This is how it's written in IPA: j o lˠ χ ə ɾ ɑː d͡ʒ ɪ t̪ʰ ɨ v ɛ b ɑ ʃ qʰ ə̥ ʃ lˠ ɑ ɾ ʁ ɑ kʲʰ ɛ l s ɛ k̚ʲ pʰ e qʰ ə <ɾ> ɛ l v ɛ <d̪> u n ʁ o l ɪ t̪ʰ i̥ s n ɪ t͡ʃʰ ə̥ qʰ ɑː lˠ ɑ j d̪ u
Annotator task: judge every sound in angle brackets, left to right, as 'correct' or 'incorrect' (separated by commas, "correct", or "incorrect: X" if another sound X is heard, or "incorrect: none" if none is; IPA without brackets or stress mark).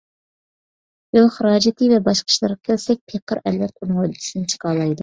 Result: correct, incorrect: t̪